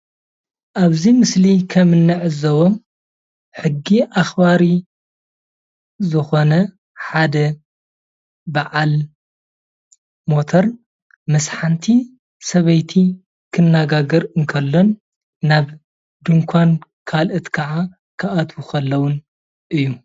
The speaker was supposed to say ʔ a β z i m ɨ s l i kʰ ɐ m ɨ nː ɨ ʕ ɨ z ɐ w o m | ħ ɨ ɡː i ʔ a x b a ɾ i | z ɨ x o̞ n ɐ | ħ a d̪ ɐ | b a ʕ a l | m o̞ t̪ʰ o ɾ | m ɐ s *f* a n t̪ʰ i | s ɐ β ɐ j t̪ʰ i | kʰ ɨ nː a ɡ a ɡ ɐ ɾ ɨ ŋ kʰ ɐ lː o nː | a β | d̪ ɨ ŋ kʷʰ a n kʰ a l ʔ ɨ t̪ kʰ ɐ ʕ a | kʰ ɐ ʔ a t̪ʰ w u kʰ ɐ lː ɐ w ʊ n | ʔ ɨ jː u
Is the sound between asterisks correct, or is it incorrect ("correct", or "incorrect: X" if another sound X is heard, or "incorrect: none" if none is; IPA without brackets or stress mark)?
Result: incorrect: ħ